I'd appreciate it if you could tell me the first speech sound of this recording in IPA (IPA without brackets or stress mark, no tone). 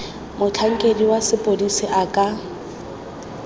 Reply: m